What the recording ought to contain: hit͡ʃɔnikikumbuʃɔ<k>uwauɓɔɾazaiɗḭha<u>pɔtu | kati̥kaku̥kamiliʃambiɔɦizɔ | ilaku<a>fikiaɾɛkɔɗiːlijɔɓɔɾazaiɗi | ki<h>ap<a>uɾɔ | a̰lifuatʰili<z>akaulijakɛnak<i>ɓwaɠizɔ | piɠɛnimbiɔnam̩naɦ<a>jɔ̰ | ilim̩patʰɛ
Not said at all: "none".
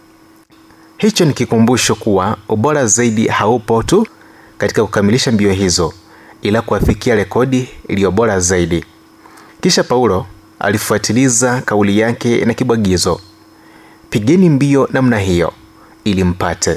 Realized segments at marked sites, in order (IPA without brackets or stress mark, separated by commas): k, u, a, ʃ, a, z, i, i